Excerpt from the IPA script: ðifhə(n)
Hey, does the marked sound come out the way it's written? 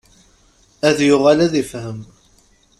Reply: no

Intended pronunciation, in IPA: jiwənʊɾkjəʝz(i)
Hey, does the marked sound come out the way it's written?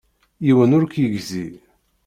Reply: yes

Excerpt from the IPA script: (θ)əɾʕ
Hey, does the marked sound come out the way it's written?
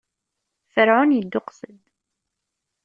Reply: no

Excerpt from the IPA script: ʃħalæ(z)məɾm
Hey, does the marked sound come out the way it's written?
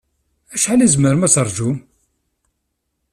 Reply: yes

